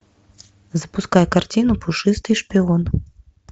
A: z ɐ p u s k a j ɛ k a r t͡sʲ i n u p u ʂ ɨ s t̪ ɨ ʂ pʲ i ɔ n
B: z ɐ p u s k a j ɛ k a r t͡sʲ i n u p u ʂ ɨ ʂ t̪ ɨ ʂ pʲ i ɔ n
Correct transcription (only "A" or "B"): A